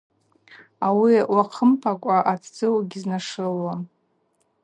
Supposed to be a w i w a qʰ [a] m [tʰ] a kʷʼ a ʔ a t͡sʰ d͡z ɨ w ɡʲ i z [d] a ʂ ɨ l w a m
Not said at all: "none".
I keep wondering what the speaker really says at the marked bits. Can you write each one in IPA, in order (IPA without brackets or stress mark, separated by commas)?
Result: ə, pʰ, n